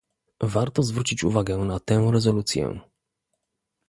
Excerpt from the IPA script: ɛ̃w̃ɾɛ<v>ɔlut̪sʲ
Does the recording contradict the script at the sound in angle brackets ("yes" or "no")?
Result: yes